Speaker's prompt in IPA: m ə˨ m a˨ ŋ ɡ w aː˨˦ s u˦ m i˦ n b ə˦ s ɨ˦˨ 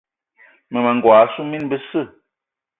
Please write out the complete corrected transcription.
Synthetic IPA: m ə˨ m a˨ ŋ ɡ w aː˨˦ s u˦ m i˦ n b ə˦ s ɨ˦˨